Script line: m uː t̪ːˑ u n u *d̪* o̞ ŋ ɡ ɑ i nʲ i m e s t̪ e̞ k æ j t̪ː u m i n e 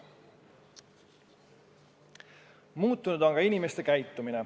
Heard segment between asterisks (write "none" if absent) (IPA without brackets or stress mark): d̪